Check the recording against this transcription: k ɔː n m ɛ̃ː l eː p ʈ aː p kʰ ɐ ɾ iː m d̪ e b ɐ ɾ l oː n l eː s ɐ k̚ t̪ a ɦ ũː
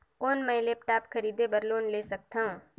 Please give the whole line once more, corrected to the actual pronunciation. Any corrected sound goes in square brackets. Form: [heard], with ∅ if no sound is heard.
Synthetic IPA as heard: k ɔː n m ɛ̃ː l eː p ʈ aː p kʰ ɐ ɾ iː [∅] d̪ e b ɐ ɾ l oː n l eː s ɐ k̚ t̪ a ɦ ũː